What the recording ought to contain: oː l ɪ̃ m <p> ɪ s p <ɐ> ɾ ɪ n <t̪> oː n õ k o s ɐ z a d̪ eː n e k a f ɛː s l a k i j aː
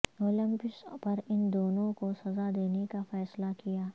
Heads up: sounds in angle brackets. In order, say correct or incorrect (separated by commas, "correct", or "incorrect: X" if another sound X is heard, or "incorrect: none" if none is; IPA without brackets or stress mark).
correct, correct, incorrect: d̪